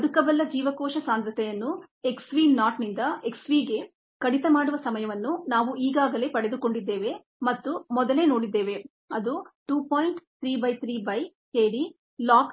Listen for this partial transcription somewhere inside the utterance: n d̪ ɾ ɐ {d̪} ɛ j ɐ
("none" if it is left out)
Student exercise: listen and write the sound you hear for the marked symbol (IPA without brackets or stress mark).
t̪